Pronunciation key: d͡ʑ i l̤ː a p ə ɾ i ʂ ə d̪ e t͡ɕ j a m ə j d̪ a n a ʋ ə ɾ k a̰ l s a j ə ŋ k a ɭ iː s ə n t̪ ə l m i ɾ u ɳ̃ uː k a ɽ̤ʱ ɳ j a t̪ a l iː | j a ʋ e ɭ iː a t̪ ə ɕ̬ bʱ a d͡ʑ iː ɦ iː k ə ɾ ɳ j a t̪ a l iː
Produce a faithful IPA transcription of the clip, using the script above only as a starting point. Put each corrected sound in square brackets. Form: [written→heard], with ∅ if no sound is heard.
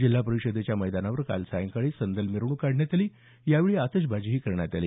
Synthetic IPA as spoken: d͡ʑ i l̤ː a p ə ɾ i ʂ ə d̪ e t͡ɕ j a m ə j d̪ a n a ʋ ə ɾ k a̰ l s a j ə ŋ k a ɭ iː s ə n [t̪→d̪] ə l m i ɾ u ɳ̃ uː k a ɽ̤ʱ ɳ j a t̪ a l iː | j a ʋ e ɭ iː a t̪ ə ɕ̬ bʱ a d͡ʑ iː ɦ iː k ə ɾ ɳ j a t̪ a l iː